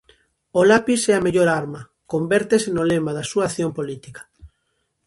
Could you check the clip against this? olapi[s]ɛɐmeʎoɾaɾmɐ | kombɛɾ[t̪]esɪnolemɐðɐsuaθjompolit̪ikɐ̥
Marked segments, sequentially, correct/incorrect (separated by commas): correct, correct